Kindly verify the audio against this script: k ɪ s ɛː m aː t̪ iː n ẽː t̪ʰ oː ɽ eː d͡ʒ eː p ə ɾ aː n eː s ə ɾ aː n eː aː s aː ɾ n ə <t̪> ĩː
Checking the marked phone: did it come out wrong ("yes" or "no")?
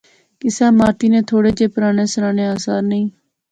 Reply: yes